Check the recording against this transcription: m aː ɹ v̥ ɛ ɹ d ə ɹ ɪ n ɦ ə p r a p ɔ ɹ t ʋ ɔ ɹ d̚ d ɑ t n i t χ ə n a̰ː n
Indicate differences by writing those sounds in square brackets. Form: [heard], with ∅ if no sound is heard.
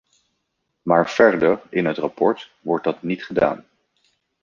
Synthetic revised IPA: m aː ɹ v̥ ɛ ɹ d ə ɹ ɪ n ɦ ə [t] r a p ɔ ɹ t ʋ ɔ ɹ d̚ d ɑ t n i t χ ə [d] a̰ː n